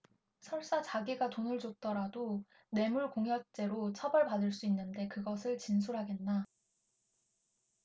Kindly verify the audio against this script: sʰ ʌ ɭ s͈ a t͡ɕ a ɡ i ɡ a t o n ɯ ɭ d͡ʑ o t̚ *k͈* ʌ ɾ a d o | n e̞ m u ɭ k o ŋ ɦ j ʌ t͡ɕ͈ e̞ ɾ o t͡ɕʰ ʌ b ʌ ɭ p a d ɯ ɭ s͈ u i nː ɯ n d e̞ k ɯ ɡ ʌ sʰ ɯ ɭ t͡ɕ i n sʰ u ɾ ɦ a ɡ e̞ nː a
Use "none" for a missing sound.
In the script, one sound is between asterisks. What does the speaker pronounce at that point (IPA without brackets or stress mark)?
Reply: t͈